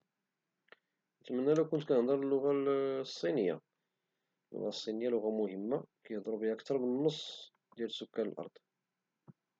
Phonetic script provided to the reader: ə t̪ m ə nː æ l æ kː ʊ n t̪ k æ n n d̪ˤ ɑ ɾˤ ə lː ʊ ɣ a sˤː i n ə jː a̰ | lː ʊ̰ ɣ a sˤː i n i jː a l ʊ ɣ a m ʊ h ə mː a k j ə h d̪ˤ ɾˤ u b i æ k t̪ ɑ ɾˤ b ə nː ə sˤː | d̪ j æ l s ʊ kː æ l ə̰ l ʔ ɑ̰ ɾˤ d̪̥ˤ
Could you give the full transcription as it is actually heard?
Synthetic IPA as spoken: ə t̪ m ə nː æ l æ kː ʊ n t̪ k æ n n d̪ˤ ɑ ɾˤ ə lː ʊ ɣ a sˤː i n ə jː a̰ | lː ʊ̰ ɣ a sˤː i n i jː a l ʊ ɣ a m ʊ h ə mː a k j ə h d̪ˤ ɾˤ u b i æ k t̪ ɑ ɾˤ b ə nː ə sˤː | d̪ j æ l s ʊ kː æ l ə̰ l ʔ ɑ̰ ɾˤ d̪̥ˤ

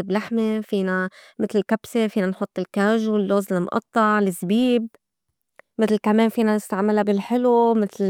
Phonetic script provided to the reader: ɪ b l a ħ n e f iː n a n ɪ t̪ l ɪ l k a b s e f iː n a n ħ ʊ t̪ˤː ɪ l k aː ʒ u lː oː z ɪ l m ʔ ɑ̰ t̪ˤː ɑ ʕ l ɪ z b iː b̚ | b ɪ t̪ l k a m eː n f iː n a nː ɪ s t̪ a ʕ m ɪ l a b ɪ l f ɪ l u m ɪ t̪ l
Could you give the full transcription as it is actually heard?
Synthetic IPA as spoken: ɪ b l a ħ m e f iː n a m ɪ t̪ l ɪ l k a b s e f iː n a n ħ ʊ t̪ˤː ɪ l k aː ʒ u lː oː z ɪ l m ʔ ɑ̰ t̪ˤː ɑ ʕ l ɪ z b iː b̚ | m ɪ t̪ l k a m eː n f iː n a n ɪ s t̪ a ʕ m ɪ l a b ɪ l ħ ɪ l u m ɪ t̪ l

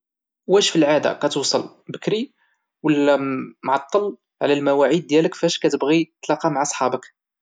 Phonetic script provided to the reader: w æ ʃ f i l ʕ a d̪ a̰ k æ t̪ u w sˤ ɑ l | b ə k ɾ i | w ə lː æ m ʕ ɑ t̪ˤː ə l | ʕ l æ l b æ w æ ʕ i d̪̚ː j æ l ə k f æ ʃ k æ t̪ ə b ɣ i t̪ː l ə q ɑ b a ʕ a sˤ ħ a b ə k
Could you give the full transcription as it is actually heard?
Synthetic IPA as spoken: w æ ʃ f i l ʕ a d̪ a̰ k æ t̪ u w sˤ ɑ l | b ə k ɾ i | w ə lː æ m ʕ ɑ t̪ˤː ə l | ʕ l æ l m æ w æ ʕ i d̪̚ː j æ l ə k f æ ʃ k æ t̪ ə b ɣ i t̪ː l ɑ q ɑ m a ʕ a sˤ ħ ɑ b ə k

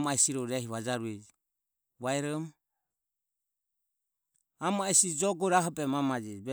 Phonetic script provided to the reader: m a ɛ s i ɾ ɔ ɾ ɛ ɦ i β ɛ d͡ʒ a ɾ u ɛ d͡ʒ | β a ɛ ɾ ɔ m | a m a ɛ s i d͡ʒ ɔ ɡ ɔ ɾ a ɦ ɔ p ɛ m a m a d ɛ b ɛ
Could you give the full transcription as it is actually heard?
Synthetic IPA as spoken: m a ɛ s i ɾ ɔ ɾ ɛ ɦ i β a d͡ʒ a ɾ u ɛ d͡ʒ | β a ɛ ɾ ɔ m | a m a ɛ s i d͡ʒ ɔ ɡ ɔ ɾ a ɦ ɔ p ɛ m a m a d͡ʒ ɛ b ɛ

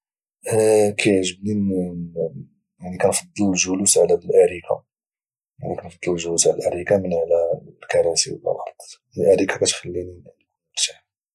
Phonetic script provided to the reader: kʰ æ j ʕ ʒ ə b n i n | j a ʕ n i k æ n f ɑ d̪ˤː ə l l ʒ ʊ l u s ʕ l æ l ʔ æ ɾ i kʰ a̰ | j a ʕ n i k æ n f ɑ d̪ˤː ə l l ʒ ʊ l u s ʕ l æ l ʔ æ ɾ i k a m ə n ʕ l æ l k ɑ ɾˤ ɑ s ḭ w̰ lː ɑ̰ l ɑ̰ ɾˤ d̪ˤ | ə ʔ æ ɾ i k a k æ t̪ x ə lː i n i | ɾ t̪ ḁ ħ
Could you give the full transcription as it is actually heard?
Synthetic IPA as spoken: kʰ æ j ʕ ʒ ə b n i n | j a ʕ n i k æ n f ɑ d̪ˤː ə l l ʒ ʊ l u s ʕ l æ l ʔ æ ɾ i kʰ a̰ | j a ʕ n i k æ n f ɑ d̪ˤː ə l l ʒ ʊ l u s ʕ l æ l ʔ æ ɾ i k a m ə n ʕ l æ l k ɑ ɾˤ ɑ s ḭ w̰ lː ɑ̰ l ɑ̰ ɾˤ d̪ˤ | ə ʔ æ ɾ i k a k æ t̪ x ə lː i n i | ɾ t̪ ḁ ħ

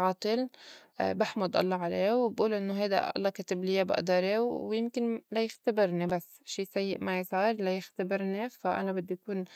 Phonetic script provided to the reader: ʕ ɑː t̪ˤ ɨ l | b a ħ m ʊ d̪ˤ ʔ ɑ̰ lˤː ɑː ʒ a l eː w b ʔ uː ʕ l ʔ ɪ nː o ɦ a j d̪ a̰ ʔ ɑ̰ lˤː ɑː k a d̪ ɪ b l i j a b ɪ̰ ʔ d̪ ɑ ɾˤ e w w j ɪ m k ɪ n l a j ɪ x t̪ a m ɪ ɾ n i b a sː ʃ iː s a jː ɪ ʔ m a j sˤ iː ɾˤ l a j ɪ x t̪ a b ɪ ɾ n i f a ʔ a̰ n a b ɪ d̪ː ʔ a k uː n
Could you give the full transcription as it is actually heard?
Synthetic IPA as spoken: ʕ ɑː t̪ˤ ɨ l | b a ħ m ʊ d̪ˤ ʔ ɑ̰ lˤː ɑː ʕ a l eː w b ʔ uː l ʔ ɪ nː o ɦ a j d̪ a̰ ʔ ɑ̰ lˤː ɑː k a t̪ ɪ b l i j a b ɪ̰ ʔ d̪ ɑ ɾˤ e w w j ɪ m k ɪ n l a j ɪ x t̪ a b ɪ ɾ n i b a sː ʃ iː s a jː ɪ ʔ m a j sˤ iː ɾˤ l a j ɪ x t̪ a b ɪ ɾ n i f a ʔ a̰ n a b ɪ d̪ː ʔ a k uː n

